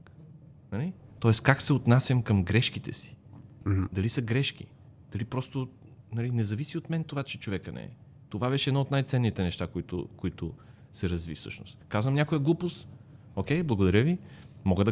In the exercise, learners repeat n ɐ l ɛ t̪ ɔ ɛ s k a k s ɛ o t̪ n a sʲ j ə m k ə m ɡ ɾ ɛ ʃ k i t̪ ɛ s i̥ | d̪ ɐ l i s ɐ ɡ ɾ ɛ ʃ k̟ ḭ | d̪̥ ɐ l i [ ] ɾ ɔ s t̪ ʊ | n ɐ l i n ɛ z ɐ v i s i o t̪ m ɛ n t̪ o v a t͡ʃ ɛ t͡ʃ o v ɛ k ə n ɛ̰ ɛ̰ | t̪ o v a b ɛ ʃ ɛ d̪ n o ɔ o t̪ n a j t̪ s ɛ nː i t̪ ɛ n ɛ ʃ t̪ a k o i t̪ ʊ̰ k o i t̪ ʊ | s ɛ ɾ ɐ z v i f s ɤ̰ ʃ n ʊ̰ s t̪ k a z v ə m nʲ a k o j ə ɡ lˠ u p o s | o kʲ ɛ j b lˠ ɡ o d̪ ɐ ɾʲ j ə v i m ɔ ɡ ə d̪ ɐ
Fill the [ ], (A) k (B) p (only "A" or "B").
B